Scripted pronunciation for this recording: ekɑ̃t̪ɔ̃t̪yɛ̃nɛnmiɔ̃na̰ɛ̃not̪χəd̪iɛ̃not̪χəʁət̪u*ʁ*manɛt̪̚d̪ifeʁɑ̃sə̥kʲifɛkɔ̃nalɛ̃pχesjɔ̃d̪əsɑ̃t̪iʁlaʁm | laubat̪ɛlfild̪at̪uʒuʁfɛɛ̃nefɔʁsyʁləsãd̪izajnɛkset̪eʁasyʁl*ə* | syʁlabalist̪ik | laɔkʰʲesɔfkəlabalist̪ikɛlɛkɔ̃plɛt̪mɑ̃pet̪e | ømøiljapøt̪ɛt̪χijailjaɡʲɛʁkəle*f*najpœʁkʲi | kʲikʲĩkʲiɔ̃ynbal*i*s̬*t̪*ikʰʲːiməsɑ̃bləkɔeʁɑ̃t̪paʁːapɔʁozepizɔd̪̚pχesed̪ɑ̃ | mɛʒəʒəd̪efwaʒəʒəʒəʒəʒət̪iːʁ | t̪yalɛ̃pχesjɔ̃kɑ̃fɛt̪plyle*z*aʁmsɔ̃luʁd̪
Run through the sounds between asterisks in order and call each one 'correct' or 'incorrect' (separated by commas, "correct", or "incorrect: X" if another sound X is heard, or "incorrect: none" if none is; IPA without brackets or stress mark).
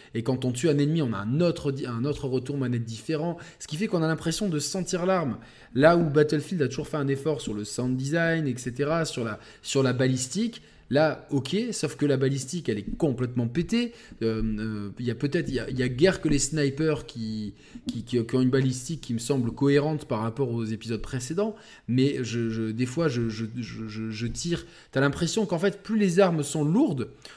correct, incorrect: a, incorrect: s, correct, correct, correct